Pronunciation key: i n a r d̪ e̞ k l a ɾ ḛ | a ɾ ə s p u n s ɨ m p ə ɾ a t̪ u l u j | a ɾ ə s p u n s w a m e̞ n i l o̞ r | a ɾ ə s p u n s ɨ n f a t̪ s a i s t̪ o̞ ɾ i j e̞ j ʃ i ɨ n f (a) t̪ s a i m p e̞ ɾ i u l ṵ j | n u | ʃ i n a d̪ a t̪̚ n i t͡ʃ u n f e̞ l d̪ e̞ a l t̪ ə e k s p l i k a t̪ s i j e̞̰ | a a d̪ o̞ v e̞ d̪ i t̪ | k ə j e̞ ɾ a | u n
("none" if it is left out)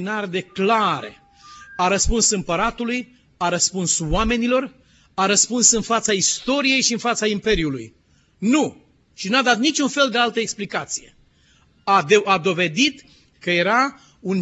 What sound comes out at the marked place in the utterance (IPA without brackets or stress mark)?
a